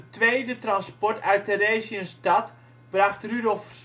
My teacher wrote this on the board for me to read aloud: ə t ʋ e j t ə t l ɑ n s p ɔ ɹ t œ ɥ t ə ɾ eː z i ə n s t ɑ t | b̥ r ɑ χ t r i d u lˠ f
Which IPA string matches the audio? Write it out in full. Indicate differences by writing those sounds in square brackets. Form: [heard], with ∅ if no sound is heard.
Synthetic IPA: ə t ʋ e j [d] ə t [r] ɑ n s p ɔ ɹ t œ ɥ t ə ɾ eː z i ə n s t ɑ t | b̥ r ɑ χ t r [y] d [ɔ] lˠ f